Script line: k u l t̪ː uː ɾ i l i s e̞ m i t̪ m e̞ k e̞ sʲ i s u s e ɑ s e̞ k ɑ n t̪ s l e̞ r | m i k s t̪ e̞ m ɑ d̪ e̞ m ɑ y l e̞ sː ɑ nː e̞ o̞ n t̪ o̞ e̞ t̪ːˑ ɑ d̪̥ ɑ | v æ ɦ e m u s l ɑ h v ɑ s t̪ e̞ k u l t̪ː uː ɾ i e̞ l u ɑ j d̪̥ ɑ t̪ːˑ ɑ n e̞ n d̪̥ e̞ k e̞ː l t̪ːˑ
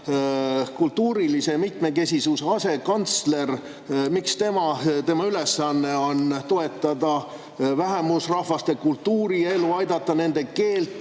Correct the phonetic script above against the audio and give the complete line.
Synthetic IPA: k u l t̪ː uː ɾ i l i s e̞ m i t̪ m e̞ k e̞ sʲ i s u s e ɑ s e̞ k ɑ n t̪ s l e̞ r | m i k s t̪ e̞ m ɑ t̪ e̞ m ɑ y l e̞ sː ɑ nː e̞ o̞ n t̪ o̞ e̞ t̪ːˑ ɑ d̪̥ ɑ | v æ ɦ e m u s r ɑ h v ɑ s t̪ e̞ k u l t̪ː uː ɾ i e̞ l u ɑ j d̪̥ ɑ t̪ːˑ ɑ n e̞ n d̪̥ e̞ k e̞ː l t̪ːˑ